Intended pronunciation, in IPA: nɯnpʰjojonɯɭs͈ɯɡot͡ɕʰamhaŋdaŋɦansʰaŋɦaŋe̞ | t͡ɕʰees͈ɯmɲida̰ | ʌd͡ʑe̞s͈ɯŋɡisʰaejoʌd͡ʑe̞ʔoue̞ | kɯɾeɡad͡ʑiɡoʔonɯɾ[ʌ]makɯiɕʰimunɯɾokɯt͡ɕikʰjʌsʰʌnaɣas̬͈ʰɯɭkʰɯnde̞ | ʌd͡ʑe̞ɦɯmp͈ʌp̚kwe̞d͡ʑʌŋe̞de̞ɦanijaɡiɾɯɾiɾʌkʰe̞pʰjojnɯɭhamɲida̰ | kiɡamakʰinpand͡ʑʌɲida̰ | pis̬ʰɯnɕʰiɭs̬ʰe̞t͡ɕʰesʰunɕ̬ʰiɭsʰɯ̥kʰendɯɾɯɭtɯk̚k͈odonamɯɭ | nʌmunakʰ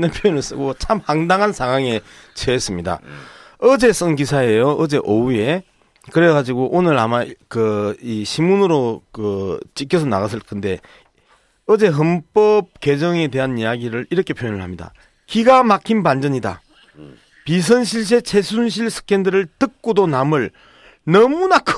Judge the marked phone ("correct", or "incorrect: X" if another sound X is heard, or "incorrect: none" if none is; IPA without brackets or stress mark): incorrect: a